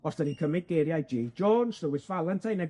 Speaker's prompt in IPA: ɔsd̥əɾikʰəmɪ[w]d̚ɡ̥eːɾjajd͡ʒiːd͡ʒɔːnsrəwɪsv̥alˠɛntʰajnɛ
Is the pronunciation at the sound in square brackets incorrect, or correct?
incorrect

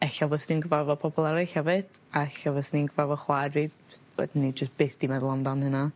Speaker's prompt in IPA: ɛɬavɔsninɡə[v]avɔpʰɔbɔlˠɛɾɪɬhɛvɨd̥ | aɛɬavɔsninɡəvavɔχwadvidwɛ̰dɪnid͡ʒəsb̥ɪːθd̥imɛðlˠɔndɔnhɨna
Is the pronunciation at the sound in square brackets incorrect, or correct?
correct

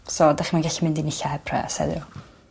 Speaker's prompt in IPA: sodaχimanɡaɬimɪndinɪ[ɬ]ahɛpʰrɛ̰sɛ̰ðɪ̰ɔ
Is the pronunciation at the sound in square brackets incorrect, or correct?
correct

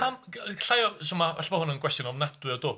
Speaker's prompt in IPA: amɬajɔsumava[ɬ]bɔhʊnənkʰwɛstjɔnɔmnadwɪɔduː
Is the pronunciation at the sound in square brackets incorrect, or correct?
correct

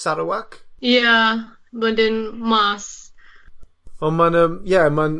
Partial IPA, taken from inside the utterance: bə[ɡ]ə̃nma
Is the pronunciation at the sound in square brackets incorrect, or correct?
incorrect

